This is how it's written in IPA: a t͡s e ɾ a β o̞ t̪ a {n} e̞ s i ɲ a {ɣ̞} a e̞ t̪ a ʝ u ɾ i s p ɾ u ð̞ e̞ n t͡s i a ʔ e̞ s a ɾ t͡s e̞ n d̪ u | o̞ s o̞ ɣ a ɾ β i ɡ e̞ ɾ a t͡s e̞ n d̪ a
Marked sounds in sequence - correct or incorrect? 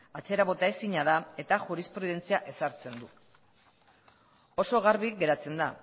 incorrect: none, incorrect: ð̞

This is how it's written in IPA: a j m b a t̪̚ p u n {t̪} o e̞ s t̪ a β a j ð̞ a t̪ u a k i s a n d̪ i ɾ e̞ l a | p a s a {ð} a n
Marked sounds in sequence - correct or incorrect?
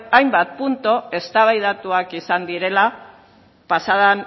correct, correct

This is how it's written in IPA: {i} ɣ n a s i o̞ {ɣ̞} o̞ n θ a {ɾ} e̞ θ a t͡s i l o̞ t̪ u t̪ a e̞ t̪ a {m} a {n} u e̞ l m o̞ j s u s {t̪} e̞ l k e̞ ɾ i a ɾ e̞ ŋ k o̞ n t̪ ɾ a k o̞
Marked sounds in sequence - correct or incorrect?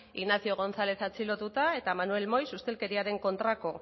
correct, correct, incorrect: l, correct, correct, correct

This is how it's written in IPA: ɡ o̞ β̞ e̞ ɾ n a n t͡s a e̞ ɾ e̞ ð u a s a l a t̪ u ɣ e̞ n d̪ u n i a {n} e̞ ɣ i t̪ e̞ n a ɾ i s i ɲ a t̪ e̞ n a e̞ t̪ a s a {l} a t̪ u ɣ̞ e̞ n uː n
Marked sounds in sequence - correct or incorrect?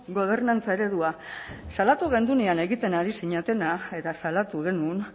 correct, correct

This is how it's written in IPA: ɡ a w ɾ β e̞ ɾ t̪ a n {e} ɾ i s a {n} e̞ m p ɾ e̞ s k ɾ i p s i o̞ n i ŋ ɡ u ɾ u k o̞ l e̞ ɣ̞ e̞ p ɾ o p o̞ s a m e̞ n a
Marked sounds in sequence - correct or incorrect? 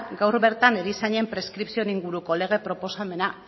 correct, incorrect: ɲ

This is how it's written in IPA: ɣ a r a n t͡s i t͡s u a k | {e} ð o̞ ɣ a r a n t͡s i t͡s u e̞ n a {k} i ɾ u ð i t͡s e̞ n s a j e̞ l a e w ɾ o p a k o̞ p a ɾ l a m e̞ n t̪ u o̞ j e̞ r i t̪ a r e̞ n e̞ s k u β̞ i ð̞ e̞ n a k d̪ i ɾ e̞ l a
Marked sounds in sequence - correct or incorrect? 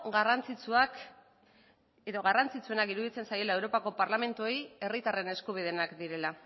correct, correct

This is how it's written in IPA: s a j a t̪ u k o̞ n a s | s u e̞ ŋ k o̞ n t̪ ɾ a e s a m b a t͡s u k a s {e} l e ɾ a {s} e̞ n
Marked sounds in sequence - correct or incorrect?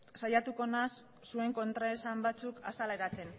incorrect: a, incorrect: t͡s

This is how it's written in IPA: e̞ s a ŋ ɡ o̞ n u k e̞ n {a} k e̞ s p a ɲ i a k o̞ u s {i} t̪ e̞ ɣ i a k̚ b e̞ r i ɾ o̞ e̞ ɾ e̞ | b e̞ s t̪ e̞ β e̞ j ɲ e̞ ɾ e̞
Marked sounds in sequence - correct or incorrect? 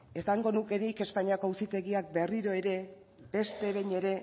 incorrect: i, correct

